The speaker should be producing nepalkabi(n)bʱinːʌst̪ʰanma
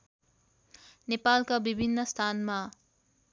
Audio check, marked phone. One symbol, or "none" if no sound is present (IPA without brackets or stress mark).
none